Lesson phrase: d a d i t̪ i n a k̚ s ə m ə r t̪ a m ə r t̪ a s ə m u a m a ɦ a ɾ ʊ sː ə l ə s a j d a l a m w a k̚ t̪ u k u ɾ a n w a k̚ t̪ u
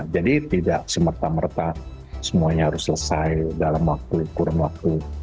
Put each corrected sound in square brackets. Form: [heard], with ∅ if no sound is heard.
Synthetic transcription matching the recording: [d͡ʒ] a d i t̪ i [d] a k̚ s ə m ə r t̪ a m ə r t̪ a s ə m u a [ɲ] a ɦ a ɾ ʊ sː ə l ə s a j d a l a m w a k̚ t̪ u k u ɾ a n w a k̚ t̪ u